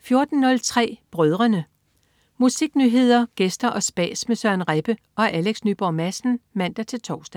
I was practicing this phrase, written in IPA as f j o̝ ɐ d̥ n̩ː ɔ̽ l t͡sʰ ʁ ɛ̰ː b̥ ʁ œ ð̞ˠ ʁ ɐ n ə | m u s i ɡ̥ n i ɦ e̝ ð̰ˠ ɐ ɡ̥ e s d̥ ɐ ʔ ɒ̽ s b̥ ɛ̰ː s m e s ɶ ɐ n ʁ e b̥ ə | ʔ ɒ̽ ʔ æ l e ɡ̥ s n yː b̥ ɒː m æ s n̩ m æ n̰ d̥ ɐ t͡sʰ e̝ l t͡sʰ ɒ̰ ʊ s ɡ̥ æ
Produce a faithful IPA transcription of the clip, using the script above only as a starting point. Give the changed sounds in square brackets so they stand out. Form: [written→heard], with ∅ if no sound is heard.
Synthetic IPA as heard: f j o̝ ɐ d̥ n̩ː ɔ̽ l t͡sʰ ʁ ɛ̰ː b̥ ʁ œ ð̞ˠ ʁ ɐ n ə | m u s i ɡ̥ n [i→y] ɦ e̝ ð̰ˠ ɐ ɡ̥ e s d̥ ɐ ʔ ɒ̽ s b̥ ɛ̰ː s m e s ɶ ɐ n ʁ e b̥ ə | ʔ ɒ̽ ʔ æ l e ɡ̥ s n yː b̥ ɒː m æ s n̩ m æ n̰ d̥ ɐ t͡sʰ e̝ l t͡sʰ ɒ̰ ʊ s [ɡ̥→d̥] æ